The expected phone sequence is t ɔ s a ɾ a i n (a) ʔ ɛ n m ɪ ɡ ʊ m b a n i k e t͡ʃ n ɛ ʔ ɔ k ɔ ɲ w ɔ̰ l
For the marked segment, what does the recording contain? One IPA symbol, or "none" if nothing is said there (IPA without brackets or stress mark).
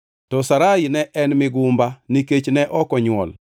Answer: ɛ